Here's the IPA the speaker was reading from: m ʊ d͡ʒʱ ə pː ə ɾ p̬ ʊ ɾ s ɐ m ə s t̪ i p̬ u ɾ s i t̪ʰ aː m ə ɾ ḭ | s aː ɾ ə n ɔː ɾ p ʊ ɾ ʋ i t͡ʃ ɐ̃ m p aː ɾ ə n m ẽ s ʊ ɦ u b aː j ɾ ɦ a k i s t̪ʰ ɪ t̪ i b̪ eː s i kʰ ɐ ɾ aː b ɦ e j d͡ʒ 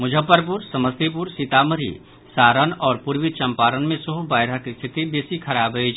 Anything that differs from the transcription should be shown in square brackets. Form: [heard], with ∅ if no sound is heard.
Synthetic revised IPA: m ʊ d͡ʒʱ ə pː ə ɾ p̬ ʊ ɾ s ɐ m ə s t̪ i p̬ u ɾ s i [t̪] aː m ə ɾ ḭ | s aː ɾ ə n ɔː ɾ p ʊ ɾ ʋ i t͡ʃ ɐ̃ m p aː ɾ ə n m ẽ s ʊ ɦ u b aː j ɾ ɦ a k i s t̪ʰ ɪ t̪ i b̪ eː s i kʰ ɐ ɾ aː b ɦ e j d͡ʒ